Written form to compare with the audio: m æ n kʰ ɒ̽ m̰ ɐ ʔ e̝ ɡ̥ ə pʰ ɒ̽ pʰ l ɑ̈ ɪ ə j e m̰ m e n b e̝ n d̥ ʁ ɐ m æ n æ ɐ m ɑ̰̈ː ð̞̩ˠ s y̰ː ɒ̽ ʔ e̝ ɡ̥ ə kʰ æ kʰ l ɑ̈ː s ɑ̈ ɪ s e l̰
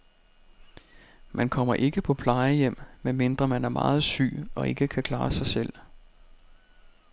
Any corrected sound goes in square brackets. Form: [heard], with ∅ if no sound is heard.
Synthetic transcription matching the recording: m æ n kʰ ɒ̽ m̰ ɐ ʔ e̝ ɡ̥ ə pʰ ɒ̽ pʰ l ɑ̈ ɪ ə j e m̰ m e n [m] e̝ n d̥ ʁ ɐ m æ n æ ɐ m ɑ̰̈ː ð̞̩ˠ s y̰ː ɒ̽ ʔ e̝ ɡ̥ ə kʰ æ kʰ l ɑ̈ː s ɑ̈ ɪ s e l̰